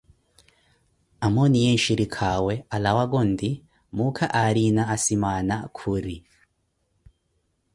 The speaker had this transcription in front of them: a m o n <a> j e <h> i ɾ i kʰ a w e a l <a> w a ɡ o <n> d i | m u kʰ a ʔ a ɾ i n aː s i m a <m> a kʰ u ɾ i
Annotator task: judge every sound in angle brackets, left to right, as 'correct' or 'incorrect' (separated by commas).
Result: incorrect, incorrect, correct, correct, incorrect